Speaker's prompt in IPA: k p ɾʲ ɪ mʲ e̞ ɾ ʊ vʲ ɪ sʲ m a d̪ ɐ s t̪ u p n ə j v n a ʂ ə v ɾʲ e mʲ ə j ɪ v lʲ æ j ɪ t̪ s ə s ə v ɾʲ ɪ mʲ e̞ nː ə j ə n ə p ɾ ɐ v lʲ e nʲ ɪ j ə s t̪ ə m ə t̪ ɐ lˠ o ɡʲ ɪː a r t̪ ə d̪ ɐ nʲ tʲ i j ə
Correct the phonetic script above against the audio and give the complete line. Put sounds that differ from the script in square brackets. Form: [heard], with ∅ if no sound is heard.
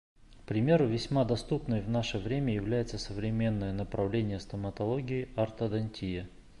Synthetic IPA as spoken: k p ɾʲ ɪ mʲ e̞ ɾ ʊ vʲ ɪ sʲ m a d̪ ɐ s t̪ u p n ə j v n a ʂ ə v ɾʲ e mʲ ə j ɪ v lʲ æ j ɪ t̪ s ə s ə v ɾʲ ɪ mʲ e̞ nː ə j ə n ə p ɾ ɐ v lʲ e nʲ ɪ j ə s t̪ ə m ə t̪ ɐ lˠ o ɡʲ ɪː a r t̪ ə d̪ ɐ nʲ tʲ i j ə